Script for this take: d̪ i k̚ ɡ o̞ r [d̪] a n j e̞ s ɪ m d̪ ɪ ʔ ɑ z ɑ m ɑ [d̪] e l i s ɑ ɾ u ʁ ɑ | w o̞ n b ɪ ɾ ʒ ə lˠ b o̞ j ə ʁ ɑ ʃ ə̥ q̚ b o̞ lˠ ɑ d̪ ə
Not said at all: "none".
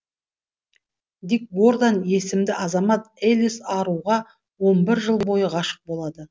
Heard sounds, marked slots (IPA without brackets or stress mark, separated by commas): d̪, t̪